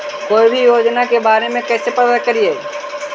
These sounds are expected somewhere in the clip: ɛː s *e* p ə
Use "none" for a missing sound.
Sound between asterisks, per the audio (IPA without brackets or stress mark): e